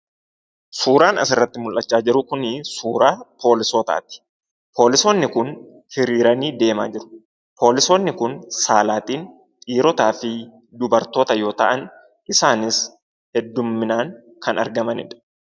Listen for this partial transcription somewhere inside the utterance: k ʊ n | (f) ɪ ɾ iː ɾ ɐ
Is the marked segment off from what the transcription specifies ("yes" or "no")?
yes